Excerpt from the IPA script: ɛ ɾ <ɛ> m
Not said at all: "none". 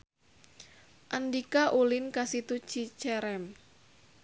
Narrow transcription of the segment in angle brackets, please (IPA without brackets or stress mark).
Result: ɛ